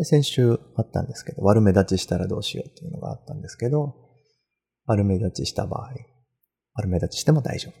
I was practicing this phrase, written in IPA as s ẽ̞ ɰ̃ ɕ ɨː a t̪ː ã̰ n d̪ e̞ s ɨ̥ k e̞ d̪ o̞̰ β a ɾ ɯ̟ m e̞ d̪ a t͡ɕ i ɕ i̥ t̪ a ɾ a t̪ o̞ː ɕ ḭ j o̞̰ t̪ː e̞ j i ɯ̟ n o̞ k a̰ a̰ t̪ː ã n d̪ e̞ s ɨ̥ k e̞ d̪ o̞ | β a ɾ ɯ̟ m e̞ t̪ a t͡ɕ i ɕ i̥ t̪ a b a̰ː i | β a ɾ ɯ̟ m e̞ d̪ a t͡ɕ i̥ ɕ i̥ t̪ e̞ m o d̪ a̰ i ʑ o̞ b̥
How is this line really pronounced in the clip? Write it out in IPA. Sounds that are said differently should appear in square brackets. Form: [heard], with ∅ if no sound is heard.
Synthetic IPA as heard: s ẽ̞ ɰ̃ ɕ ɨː a t̪ː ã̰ n d̪ e̞ s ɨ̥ k e̞ d̪ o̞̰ β a ɾ ɯ̟ m e̞ d̪ a t͡ɕ i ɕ i̥ t̪ a ɾ a [d̪] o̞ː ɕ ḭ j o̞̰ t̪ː e̞ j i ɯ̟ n o̞ [ɡ] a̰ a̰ t̪ː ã n d̪ e̞ s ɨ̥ k e̞ d̪ o̞ | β a ɾ ɯ̟ m e̞ [d̪] a t͡ɕ i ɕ i̥ t̪ a b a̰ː i | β a ɾ ɯ̟ m e̞ d̪ a t͡ɕ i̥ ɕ i̥ t̪ e̞ m o d̪ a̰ i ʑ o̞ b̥